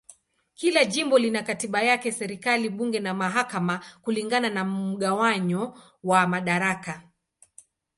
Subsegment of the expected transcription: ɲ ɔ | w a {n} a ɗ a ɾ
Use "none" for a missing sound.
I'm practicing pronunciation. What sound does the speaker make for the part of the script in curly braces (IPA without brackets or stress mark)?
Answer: m